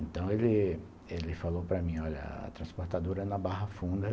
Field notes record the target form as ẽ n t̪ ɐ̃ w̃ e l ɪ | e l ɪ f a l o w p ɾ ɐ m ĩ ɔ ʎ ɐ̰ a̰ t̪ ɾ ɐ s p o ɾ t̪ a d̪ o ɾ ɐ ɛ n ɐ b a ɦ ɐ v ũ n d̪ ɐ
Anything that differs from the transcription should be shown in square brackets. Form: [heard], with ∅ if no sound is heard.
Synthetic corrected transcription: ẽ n t̪ ɐ̃ w̃ e l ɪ | e l ɪ f a l o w p ɾ ɐ m ĩ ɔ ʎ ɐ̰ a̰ t̪ ɾ [ɐ̃] s p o ɾ t̪ a d̪ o ɾ ɐ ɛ n ɐ b a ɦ ɐ [f] ũ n d̪ ɐ